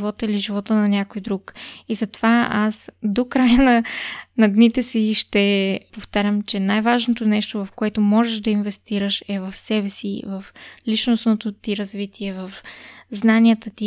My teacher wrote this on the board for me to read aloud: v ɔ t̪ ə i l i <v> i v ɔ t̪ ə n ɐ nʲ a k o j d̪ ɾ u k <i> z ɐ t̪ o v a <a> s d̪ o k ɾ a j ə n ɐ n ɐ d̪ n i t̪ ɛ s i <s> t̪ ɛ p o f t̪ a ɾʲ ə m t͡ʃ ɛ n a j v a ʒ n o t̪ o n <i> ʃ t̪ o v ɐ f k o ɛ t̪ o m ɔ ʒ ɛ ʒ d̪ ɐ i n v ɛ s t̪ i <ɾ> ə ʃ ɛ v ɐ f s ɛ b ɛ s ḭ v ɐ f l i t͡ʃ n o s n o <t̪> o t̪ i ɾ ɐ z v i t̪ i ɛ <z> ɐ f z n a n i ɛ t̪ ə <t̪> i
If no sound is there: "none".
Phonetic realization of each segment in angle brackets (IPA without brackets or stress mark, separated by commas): ʒ, i, a, ʃ, ɛ, ɾ, t̪, v, t̪